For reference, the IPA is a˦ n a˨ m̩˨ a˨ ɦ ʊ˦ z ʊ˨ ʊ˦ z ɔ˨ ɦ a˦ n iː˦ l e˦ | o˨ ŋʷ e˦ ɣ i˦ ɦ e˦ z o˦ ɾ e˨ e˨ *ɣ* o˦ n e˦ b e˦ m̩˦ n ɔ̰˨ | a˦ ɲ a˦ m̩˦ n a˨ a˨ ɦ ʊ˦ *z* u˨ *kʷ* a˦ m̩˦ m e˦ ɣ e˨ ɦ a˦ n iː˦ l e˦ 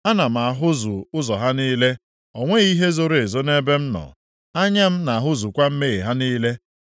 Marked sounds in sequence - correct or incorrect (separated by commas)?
incorrect, correct, correct